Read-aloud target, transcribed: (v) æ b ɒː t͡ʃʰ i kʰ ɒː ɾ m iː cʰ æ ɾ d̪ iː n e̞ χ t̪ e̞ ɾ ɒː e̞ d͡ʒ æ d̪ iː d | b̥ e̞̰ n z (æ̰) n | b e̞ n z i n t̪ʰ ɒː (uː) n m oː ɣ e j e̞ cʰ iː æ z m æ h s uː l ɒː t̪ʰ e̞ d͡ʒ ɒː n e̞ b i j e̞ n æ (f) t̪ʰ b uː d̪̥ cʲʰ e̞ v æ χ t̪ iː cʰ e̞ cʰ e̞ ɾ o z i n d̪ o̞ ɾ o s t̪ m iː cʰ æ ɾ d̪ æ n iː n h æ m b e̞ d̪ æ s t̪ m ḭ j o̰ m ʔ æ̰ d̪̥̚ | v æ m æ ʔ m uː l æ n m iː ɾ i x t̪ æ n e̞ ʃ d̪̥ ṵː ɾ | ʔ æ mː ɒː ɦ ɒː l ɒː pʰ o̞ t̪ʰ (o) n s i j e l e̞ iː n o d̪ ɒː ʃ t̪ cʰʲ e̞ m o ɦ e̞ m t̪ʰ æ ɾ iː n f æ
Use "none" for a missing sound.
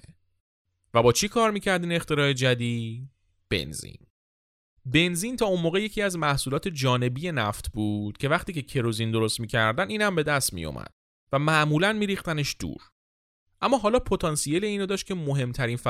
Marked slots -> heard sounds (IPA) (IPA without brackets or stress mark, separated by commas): v, ḭ, u, f, ɒ